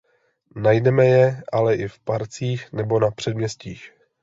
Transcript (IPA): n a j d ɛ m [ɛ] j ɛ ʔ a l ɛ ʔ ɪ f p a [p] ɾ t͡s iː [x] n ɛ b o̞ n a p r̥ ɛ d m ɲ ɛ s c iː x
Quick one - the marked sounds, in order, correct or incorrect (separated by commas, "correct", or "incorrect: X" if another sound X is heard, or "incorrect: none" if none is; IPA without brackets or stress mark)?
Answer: correct, incorrect: none, correct